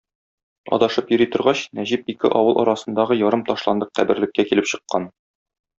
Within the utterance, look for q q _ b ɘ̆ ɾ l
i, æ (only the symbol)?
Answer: æ